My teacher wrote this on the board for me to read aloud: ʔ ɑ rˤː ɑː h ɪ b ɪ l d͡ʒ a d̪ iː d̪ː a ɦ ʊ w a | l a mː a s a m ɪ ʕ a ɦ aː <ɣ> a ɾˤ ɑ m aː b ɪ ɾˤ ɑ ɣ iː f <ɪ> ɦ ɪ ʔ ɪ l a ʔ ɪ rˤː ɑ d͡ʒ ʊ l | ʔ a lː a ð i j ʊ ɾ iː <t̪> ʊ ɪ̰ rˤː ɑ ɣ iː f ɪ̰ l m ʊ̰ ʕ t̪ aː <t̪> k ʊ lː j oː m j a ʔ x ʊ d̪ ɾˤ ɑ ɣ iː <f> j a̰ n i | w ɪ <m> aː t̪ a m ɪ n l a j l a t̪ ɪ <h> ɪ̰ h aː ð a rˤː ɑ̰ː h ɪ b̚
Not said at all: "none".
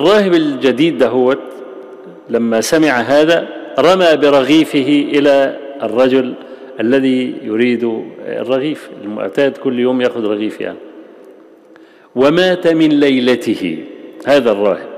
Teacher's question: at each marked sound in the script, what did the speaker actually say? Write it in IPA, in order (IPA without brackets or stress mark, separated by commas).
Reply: ð, ɪ, d̪, d̪, f, m, h